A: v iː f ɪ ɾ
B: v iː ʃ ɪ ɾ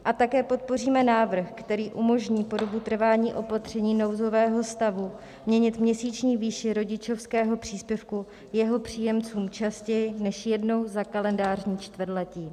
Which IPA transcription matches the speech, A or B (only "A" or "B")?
B